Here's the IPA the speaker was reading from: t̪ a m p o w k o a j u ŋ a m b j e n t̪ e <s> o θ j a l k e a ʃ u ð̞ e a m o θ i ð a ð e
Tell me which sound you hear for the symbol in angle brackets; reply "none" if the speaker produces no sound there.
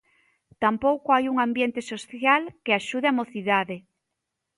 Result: s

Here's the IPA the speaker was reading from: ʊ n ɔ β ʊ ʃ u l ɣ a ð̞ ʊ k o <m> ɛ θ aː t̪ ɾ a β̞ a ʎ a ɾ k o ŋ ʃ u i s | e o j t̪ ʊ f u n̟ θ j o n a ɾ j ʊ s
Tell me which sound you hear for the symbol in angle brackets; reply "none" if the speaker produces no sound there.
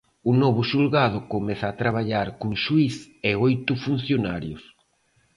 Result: m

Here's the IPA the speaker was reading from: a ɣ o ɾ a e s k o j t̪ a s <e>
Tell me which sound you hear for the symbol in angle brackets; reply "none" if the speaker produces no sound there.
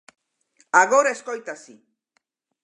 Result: i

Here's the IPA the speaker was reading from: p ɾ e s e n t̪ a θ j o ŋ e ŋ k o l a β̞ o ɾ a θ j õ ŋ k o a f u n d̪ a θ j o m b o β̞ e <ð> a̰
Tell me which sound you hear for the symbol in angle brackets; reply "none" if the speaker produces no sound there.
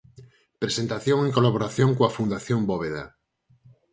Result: ð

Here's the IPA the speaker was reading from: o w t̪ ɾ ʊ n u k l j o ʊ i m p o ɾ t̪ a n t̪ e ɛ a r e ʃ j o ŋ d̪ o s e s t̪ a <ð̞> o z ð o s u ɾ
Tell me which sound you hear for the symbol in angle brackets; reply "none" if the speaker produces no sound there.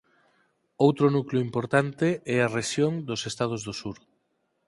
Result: ð̞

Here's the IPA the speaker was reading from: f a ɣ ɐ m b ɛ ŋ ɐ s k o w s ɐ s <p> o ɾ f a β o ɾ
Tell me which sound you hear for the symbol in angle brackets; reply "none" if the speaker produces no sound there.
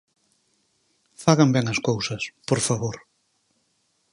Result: p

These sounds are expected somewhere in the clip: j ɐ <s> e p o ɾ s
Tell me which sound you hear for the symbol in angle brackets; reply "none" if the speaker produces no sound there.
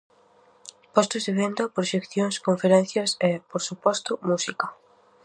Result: s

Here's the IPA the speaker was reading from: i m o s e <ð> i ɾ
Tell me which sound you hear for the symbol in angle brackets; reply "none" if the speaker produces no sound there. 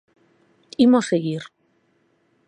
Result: ɣ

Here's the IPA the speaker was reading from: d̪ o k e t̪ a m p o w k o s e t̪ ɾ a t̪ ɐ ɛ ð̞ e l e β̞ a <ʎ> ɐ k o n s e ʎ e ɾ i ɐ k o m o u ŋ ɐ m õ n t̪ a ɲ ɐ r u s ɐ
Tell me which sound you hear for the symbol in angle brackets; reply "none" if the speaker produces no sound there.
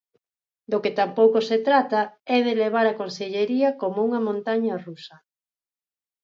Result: ɾ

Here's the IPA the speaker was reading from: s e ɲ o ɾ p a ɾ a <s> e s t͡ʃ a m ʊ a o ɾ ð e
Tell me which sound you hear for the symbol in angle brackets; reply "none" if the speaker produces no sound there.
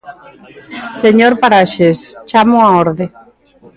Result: ʃ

